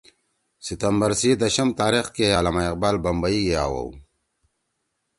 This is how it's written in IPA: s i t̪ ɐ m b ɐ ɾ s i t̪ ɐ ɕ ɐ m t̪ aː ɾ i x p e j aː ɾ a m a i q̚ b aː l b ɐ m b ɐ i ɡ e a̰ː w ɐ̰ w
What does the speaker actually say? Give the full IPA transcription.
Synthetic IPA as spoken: s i t̪ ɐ m b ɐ ɾ s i d̪ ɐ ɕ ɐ m t̪ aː ɾ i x k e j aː l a m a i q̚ b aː l b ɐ m b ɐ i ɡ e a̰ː w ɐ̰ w